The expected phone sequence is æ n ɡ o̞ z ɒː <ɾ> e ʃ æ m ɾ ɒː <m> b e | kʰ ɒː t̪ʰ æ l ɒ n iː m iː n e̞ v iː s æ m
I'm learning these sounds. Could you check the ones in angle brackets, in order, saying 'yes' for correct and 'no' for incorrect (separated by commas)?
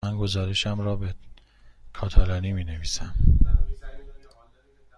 yes, no